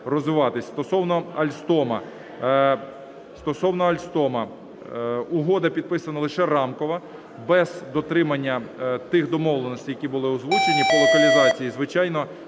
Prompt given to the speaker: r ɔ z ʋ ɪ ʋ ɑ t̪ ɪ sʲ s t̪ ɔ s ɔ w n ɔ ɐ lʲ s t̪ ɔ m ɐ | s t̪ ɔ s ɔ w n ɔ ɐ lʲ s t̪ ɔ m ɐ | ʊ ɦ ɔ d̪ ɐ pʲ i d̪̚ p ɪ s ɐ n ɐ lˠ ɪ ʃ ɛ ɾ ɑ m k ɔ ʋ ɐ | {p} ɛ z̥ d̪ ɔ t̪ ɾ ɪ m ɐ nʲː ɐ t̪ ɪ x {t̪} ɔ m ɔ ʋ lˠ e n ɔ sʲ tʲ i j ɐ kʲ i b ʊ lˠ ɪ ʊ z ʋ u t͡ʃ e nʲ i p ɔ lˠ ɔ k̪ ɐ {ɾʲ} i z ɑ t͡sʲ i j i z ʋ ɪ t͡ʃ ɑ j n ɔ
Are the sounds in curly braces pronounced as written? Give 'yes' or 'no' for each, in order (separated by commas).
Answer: no, no, no